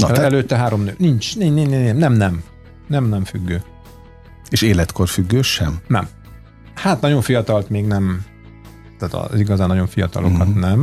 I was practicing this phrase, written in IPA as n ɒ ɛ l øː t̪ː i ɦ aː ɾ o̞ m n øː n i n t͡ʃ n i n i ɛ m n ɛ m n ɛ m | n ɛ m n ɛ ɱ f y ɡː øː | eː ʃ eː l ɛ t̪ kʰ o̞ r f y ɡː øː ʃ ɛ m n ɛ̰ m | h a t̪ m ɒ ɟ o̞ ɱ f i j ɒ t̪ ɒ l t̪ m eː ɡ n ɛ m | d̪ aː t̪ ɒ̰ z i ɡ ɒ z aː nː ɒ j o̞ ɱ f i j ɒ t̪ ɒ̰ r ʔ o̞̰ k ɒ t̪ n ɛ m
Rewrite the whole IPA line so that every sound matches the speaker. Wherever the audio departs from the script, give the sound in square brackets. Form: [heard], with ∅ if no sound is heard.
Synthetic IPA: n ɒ ɛ l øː t̪ː [ɛ] ɦ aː ɾ o̞ m n øː n i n t͡ʃ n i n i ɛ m n ɛ m n ɛ m | n ɛ m n ɛ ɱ f y ɡː øː | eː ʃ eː l ɛ t̪ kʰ o̞ r f y ɡː øː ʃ ɛ m n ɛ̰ m | h a t̪ [n] ɒ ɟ o̞ ɱ f i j ɒ t̪ ɒ l t̪ m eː ɡ n ɛ m | [t̪] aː t̪ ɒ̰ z i ɡ ɒ z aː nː ɒ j o̞ ɱ f i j ɒ t̪ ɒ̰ [l] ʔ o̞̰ k ɒ t̪ n ɛ m